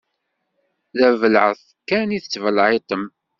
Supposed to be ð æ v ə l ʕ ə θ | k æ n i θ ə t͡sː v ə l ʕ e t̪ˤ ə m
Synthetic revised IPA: ð æ v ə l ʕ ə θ | k æ n i θ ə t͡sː v ə l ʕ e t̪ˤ ə m